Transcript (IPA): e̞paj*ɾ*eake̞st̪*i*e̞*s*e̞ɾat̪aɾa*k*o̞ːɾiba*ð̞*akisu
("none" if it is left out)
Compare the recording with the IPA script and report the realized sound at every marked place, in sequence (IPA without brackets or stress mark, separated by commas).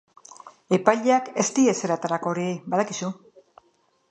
ʎ, i, s, k, ð̞